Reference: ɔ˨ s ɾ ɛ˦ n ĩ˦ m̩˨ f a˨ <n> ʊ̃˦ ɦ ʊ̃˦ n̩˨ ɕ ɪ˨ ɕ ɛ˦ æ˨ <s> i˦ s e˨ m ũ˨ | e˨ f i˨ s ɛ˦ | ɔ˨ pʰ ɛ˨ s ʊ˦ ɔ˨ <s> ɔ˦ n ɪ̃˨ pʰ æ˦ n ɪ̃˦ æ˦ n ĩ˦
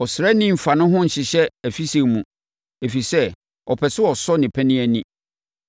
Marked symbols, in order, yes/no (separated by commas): yes, no, yes